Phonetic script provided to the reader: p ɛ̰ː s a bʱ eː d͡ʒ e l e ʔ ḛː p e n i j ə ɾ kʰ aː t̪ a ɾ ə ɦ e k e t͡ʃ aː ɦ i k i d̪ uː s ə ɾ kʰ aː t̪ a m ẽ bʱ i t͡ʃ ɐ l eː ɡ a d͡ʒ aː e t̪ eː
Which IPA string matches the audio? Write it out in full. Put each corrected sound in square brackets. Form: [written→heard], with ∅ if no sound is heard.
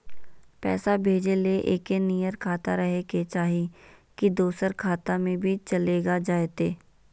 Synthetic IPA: p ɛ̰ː s a bʱ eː d͡ʒ e l e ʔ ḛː [p→k] e n i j ə ɾ kʰ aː t̪ a ɾ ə ɦ e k e t͡ʃ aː ɦ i k i d̪ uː s ə ɾ kʰ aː t̪ a m ẽ bʱ i t͡ʃ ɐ l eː ɡ a d͡ʒ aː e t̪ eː